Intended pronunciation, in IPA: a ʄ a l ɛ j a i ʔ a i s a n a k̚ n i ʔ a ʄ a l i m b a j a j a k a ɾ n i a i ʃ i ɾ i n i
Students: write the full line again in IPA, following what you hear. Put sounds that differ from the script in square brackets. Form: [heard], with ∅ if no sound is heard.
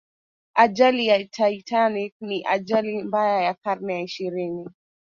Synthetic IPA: a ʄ a l [i] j a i [t] a i [t] a n [i] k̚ n i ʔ a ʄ a l i m b a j a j a k a ɾ n [ɛ] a i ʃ i ɾ i n i